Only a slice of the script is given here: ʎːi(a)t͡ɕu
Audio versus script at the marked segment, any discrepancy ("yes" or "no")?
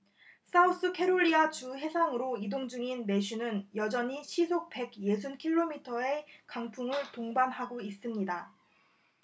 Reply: no